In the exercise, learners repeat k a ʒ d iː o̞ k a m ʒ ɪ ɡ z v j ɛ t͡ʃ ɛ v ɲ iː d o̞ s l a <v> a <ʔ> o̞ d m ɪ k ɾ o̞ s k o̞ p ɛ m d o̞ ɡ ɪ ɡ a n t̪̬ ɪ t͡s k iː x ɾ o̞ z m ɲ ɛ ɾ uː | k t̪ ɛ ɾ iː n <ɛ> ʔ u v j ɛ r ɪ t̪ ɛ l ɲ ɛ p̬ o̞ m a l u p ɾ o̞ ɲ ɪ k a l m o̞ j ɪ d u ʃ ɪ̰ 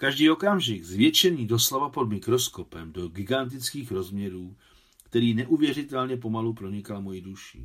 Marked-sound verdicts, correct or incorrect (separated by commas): correct, incorrect, correct